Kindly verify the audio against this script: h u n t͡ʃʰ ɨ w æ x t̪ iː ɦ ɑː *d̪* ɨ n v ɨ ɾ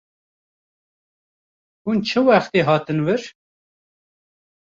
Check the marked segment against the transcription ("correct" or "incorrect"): incorrect